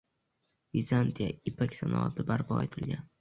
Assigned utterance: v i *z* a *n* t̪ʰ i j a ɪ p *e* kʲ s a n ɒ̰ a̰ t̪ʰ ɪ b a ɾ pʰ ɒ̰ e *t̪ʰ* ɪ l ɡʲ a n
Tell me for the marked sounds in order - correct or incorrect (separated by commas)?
correct, correct, incorrect, correct